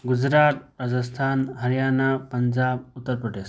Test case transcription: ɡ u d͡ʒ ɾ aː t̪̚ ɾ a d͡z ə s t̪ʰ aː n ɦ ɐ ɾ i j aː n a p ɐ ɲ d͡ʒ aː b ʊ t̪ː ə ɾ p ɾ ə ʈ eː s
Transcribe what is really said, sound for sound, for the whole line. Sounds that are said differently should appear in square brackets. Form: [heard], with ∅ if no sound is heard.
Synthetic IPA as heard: ɡ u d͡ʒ ɾ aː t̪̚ ɾ a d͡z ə s t̪ʰ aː n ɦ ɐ ɾ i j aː n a p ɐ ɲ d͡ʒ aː b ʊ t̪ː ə ɾ p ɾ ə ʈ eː s